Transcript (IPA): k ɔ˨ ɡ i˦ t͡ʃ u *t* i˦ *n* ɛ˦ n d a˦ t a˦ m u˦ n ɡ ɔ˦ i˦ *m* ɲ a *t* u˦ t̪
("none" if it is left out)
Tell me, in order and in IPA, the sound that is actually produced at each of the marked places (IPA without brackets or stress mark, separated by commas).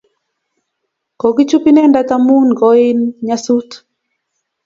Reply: p, n, n, s